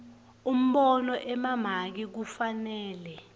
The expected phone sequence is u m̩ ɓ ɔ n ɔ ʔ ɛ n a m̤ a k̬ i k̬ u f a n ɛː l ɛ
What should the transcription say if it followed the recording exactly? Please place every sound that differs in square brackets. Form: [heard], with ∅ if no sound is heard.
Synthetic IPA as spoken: u m̩ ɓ ɔ n ɔ ʔ ɛ [m] a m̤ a k̬ i k̬ u f a n ɛː l ɛ